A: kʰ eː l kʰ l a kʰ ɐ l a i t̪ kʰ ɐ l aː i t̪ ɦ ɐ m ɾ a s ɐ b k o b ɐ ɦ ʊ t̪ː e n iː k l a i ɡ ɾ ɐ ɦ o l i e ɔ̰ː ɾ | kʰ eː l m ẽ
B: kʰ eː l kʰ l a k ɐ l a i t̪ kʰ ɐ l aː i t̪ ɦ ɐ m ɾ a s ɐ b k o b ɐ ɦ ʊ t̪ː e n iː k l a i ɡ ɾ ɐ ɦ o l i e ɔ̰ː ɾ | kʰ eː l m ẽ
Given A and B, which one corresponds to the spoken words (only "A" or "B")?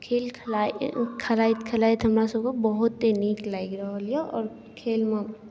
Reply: A